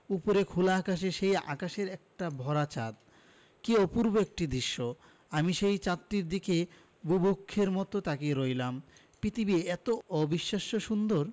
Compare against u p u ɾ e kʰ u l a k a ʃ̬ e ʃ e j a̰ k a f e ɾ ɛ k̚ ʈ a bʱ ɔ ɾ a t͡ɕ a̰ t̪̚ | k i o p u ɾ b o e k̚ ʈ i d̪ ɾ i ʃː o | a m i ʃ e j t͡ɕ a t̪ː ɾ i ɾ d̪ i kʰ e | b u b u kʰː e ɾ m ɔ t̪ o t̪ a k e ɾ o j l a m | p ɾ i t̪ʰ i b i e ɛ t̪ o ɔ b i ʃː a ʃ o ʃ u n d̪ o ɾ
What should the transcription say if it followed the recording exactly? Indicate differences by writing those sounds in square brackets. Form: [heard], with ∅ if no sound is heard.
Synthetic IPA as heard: u p [o] ɾ e kʰ u l a k a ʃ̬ e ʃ e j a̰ k a [ʃ] e ɾ ɛ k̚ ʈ a bʱ ɔ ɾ a t͡ɕ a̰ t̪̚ | k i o p u ɾ b o e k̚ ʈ i d̪ ɾ i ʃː o | a m i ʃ e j t͡ɕ a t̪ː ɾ i ɾ d̪ i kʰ e | b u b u kʰː e ɾ m ɔ t̪ o t̪ a k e ɾ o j l a m | p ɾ i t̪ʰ i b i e ɛ t̪ o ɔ b i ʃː a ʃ o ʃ u n d̪ o ɾ